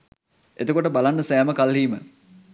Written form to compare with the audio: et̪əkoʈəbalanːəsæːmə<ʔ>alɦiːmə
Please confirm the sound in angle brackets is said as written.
no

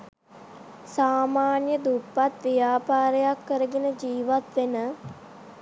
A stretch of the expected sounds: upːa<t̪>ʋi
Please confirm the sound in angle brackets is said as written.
yes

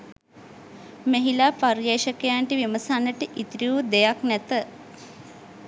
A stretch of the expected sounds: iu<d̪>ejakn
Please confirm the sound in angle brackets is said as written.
yes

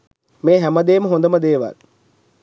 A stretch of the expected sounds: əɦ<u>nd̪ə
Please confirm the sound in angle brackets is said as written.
no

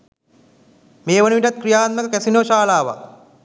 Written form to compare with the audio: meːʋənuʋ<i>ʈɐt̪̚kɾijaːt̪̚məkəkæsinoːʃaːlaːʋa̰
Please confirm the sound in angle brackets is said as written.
yes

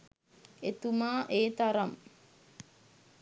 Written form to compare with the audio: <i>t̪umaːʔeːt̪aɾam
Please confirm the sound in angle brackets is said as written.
no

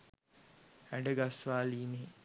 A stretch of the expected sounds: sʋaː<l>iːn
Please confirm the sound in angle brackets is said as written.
yes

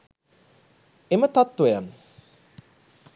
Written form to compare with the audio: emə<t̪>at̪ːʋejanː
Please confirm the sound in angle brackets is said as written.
yes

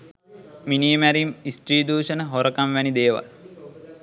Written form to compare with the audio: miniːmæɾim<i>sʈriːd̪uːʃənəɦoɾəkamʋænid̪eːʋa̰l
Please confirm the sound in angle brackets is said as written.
yes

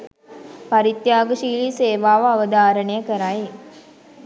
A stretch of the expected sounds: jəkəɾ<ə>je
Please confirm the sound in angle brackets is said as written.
no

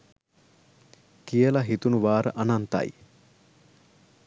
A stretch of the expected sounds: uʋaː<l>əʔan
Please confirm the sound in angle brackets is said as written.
no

